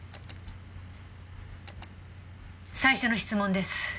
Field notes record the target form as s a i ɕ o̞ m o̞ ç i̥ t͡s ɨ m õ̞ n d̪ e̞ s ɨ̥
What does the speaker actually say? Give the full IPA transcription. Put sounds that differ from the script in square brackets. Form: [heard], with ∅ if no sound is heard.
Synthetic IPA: s a i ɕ o̞ [n] o̞ ç i̥ t͡s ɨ m õ̞ n d̪ e̞ s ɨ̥